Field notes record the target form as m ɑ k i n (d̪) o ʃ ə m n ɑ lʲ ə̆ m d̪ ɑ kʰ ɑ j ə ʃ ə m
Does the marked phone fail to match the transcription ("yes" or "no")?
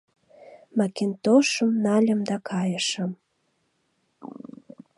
yes